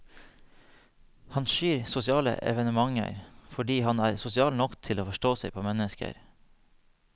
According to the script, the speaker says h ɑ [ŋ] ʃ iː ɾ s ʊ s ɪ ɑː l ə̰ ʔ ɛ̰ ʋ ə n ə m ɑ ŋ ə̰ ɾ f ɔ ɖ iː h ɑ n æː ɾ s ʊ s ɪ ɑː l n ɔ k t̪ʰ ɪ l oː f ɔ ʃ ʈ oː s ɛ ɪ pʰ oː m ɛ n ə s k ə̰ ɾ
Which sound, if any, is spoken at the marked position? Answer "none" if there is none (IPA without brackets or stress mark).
n